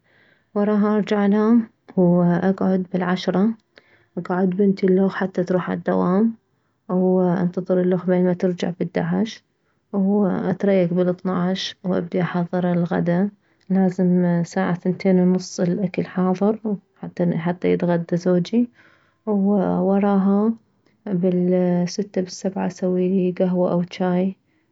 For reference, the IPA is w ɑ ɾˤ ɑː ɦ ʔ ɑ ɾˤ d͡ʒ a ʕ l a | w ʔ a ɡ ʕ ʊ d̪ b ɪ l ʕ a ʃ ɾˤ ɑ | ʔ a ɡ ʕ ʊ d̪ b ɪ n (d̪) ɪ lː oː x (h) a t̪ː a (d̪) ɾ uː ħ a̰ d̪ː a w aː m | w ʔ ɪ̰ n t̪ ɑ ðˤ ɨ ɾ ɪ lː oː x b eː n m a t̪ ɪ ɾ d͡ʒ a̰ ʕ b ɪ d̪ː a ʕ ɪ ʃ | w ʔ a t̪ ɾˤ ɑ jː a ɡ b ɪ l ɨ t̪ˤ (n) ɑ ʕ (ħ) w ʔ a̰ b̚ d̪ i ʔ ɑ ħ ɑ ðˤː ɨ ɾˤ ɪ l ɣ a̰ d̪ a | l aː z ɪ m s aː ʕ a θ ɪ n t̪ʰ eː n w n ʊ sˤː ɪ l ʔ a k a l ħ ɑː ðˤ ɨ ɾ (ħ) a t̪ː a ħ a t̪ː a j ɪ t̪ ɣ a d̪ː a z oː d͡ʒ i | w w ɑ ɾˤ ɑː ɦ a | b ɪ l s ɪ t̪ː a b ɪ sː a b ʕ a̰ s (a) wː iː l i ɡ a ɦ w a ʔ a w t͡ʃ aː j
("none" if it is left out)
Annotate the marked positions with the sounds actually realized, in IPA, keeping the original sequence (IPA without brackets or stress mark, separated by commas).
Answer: t̪, ħ, t̪, n, ʃ, ħ, a